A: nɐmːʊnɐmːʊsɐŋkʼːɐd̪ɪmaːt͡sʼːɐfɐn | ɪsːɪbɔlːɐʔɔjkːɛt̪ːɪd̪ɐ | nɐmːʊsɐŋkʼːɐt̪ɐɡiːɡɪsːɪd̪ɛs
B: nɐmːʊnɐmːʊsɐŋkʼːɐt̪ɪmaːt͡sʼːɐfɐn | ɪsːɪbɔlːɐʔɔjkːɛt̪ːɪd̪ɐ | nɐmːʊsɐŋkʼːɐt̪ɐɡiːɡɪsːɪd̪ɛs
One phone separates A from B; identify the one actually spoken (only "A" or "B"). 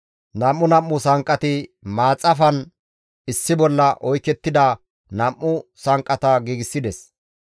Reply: B